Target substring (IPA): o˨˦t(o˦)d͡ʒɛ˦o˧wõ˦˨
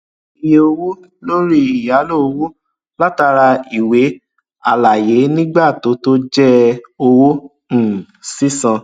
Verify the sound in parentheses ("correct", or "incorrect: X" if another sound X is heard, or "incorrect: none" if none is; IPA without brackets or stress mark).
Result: correct